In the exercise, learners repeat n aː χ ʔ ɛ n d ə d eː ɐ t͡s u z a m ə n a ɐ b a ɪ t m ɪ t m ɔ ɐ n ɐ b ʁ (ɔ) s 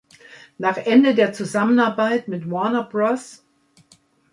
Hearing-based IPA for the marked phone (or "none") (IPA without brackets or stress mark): ɔ